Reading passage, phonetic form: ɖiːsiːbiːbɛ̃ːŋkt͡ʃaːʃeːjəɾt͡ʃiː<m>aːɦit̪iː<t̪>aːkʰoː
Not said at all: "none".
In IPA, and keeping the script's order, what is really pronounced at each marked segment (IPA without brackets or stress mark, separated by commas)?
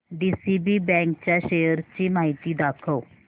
m, d̪